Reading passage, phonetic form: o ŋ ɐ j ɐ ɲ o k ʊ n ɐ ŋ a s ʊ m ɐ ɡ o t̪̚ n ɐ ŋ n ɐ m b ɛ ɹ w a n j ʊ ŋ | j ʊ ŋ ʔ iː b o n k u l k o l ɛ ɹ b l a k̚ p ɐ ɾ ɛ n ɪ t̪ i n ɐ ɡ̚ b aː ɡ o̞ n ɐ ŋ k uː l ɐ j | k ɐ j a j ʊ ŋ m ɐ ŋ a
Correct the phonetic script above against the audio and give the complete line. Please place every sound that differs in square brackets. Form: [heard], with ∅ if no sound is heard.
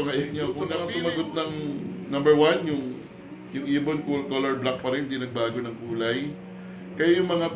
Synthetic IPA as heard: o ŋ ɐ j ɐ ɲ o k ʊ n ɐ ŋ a s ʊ m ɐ ɡ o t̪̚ n ɐ ŋ n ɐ m b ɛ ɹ w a n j ʊ ŋ | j ʊ ŋ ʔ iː b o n k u l k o l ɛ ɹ b l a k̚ p ɐ ɾ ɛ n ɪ [d̪] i n ɐ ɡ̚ b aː ɡ o̞ n ɐ ŋ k uː l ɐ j | k ɐ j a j ʊ ŋ m ɐ ŋ a